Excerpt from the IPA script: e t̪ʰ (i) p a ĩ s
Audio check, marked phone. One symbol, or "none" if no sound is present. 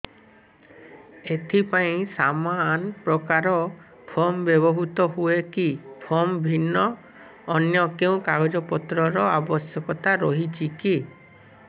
i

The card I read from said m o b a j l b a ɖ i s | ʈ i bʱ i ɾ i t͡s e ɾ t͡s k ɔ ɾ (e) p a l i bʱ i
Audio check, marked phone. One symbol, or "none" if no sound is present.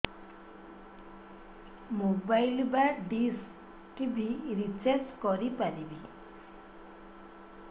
i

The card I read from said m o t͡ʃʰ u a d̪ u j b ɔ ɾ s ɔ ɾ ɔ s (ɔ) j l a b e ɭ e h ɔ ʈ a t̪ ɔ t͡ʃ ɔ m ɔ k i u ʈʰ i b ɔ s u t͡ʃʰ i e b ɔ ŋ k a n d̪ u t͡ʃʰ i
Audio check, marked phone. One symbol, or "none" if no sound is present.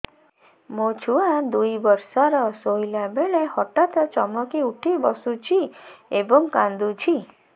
o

